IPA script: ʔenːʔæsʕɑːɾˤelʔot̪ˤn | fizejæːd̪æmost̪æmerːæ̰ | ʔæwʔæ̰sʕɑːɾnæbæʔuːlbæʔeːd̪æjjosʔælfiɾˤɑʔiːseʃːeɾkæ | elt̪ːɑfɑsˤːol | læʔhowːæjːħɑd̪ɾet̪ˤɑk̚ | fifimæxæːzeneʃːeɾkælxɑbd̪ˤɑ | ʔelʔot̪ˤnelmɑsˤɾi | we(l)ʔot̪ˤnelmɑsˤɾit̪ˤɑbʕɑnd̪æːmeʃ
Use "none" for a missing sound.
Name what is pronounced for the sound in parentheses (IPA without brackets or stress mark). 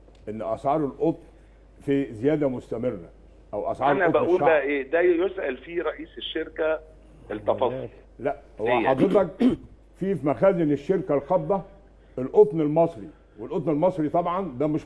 l